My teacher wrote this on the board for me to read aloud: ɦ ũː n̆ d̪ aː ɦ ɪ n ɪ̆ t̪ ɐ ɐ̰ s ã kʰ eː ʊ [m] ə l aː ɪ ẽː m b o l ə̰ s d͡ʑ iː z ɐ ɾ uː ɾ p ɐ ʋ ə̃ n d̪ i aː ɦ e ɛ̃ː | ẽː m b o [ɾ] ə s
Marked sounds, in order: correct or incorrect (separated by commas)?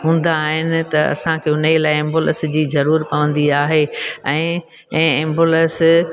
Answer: incorrect, incorrect